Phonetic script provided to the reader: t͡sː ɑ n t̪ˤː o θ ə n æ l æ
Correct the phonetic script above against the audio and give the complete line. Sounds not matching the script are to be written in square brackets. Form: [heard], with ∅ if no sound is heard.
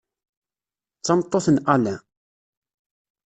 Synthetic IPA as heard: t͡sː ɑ [m] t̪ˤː o θ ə n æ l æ